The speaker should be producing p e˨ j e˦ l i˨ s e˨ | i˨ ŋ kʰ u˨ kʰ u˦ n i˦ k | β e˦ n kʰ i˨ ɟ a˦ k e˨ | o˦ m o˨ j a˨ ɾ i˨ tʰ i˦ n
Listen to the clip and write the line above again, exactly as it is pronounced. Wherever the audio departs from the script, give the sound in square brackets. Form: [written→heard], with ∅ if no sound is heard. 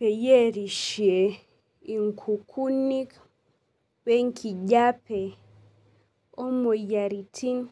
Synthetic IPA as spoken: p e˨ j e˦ [l→ɾ] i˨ [s→ʃ] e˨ | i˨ ŋ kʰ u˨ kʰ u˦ n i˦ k | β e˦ [n→ŋ] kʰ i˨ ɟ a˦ [k→p] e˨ | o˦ m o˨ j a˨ ɾ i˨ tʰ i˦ n